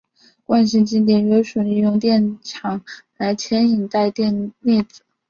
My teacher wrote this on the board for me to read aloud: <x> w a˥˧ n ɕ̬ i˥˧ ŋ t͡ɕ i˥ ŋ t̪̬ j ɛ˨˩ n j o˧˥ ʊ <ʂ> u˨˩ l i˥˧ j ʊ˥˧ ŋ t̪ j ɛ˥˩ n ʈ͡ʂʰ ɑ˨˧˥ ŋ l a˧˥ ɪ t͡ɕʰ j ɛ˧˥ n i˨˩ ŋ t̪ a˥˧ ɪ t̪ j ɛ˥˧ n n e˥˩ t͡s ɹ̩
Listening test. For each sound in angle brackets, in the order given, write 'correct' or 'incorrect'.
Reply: incorrect: k, correct

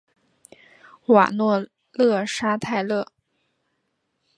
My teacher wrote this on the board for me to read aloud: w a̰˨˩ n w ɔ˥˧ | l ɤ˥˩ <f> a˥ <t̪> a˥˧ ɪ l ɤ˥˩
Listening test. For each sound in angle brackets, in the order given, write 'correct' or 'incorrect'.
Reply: incorrect: ʂ, incorrect: t̪ʰ

